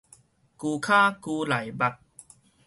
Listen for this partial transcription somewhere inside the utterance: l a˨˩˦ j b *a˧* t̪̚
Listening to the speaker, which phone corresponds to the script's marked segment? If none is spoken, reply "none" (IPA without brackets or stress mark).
a˨˩